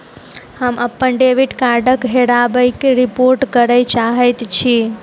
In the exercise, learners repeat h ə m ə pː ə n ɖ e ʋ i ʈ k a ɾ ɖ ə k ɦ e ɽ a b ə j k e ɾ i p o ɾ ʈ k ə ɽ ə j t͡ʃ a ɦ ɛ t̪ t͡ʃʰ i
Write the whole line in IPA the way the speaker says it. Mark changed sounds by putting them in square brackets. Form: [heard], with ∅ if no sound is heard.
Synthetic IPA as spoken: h ə m ə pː ə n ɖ e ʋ i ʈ k a ɾ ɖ ə k ɦ e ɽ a b ə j k e ɾ i p o ɾ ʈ k ə [ɾ] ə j t͡ʃ a ɦ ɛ t̪ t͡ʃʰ i